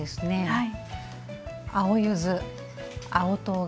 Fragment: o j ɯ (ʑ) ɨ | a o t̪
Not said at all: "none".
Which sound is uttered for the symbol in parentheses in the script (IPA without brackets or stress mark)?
z